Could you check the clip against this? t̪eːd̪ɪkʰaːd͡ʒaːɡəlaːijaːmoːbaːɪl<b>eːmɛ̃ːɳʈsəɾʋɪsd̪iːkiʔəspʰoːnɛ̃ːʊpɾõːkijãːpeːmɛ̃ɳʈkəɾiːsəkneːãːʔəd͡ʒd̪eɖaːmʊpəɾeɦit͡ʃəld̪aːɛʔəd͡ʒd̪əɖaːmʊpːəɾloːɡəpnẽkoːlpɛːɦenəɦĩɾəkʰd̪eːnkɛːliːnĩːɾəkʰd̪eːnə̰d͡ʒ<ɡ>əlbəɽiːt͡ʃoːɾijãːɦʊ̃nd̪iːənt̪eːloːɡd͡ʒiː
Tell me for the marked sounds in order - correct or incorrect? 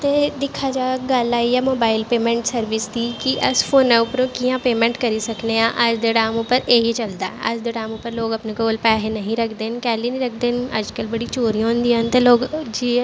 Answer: incorrect, incorrect

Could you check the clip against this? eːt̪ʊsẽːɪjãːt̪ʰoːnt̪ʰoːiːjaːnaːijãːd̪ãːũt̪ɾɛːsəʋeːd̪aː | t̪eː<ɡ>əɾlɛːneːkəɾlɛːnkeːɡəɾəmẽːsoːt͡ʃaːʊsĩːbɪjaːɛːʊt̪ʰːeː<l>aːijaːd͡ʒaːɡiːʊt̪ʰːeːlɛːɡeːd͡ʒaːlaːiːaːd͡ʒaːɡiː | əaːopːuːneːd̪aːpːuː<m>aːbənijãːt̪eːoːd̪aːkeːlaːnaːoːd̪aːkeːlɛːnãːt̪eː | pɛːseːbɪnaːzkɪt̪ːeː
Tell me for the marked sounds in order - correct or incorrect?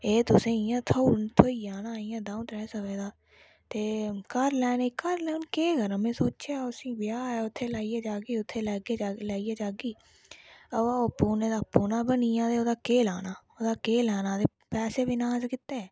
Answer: incorrect, correct, incorrect

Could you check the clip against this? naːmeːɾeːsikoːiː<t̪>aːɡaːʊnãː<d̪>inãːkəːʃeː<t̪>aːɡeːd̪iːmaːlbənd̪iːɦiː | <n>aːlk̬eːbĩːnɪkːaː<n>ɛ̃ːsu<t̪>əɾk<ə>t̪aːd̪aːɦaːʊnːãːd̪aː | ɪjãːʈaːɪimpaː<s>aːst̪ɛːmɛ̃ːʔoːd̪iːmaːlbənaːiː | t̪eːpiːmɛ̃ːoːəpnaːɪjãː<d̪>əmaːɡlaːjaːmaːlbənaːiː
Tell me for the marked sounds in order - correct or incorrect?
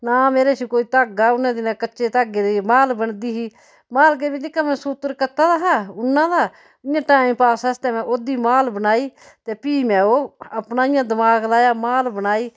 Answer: correct, correct, correct, incorrect, incorrect, correct, correct, correct, correct

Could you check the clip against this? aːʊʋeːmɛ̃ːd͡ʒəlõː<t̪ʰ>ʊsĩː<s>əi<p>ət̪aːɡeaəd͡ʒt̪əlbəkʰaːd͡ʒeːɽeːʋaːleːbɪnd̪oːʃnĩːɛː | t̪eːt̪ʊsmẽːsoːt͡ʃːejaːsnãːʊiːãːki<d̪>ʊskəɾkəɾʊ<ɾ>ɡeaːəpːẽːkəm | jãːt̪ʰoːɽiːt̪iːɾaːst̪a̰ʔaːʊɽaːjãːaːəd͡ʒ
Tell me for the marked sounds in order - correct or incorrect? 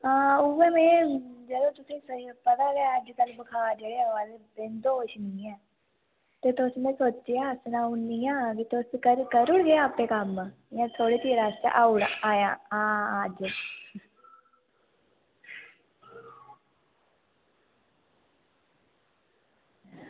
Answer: incorrect, correct, correct, incorrect, incorrect

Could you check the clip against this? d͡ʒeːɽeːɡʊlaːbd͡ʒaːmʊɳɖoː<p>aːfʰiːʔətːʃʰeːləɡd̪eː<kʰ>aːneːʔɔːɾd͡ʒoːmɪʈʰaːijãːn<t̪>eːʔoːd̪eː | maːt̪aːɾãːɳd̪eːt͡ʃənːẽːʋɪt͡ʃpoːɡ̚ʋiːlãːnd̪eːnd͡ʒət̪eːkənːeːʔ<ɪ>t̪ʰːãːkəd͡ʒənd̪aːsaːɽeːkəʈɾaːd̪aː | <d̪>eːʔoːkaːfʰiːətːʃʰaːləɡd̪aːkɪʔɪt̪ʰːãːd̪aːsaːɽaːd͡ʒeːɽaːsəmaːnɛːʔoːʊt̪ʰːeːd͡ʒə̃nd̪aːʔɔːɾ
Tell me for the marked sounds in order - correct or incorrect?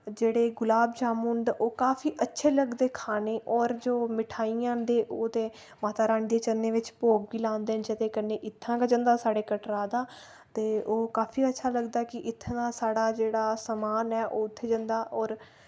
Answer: incorrect, correct, incorrect, correct, incorrect

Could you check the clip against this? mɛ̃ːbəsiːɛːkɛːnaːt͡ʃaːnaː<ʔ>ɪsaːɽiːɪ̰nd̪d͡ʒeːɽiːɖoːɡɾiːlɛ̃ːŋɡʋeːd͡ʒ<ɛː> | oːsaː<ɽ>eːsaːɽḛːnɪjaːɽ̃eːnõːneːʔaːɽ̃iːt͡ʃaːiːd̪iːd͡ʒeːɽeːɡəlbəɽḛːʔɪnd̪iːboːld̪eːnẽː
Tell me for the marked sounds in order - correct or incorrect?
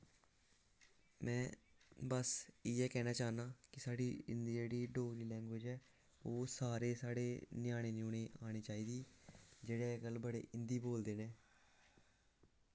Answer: incorrect, correct, incorrect

